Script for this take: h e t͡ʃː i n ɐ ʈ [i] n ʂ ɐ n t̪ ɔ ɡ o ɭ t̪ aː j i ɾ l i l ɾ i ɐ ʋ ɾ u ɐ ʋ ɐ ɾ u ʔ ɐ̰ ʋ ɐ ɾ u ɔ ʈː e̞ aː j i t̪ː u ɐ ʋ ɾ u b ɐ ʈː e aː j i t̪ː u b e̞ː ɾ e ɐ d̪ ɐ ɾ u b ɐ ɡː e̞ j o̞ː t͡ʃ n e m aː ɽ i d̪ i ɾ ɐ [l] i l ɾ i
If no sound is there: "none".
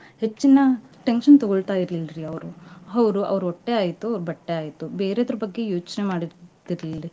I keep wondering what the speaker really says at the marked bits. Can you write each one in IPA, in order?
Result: e, l

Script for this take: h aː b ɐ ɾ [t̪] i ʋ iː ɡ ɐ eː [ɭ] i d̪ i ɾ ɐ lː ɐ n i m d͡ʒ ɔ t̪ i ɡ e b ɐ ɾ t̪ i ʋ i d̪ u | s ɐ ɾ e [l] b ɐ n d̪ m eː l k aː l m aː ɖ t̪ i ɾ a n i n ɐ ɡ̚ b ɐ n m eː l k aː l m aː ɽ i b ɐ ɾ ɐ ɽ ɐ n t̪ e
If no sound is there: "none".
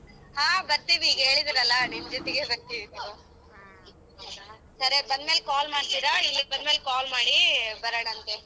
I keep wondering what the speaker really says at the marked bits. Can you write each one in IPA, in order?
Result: t̪, ɭ, none

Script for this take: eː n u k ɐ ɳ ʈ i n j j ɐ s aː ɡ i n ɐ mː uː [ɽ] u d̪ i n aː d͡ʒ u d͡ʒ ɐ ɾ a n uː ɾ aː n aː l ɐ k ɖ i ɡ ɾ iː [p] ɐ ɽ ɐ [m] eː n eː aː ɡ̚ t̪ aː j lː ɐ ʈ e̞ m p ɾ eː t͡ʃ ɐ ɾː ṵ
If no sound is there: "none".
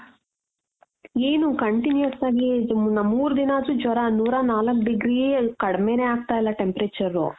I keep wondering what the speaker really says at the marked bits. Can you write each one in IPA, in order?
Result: ɾ, k, m

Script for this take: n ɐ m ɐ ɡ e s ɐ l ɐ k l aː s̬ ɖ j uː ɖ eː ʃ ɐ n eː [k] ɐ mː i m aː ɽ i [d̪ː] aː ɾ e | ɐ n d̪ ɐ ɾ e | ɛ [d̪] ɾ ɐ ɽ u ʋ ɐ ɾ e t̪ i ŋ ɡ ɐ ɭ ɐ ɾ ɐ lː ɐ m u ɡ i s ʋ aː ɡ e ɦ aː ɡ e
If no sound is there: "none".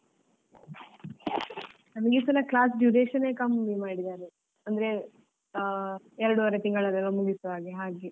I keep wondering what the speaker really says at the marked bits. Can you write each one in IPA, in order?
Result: k, d̪, none

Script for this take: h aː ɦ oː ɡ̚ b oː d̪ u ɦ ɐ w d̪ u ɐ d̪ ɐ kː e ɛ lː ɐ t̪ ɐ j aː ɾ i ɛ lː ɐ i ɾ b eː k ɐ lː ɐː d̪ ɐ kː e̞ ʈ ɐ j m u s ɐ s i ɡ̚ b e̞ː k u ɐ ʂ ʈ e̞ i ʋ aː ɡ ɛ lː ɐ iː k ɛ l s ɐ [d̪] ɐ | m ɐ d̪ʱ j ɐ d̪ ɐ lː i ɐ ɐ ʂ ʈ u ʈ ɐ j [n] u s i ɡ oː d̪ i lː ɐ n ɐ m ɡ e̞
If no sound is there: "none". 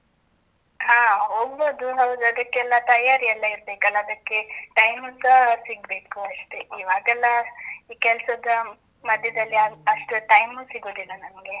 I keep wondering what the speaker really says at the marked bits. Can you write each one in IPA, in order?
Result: d̪, m

